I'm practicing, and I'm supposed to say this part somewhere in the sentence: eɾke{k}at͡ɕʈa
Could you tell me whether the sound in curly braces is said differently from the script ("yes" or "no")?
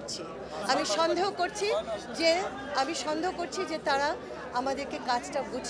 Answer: no